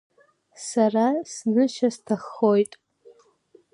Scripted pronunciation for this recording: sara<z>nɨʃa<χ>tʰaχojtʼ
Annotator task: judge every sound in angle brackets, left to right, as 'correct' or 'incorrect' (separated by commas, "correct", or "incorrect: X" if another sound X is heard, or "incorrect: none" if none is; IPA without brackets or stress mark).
incorrect: s, incorrect: s